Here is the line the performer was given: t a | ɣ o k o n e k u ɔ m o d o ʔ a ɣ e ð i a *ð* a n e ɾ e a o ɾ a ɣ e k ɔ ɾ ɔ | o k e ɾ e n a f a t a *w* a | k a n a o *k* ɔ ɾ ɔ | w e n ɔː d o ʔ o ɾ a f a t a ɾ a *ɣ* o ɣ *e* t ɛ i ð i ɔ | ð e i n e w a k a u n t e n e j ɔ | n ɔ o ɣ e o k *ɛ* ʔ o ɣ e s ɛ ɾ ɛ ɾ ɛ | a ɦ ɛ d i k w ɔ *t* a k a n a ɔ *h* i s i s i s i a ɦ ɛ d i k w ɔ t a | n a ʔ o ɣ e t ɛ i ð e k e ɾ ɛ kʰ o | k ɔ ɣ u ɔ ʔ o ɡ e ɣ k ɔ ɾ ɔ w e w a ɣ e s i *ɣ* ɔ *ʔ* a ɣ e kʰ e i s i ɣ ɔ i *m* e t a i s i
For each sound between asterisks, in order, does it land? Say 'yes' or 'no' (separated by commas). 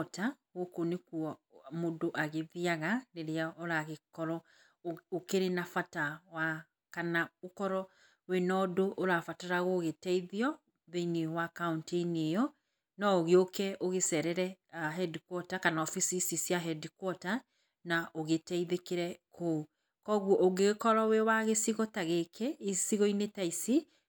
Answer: no, yes, yes, yes, yes, yes, yes, no, yes, no, no